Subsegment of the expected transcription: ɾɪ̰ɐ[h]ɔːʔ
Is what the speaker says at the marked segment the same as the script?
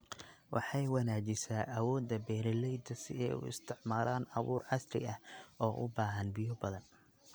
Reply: yes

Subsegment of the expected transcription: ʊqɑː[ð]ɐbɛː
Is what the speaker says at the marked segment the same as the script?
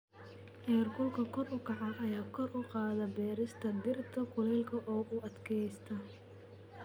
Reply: yes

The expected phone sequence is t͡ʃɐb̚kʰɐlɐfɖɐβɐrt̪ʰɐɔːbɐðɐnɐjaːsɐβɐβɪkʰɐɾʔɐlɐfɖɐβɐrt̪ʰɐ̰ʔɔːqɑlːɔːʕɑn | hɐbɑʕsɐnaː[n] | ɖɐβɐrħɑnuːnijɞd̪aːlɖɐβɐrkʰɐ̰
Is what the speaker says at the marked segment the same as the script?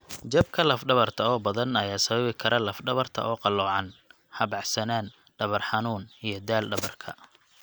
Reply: yes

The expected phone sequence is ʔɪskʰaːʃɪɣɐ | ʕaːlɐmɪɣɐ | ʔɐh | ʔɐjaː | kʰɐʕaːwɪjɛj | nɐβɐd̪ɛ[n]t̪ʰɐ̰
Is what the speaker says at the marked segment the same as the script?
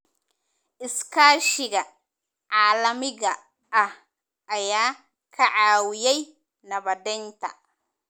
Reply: yes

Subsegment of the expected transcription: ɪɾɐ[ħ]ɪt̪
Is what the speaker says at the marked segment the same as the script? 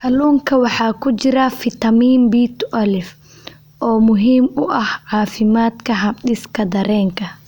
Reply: no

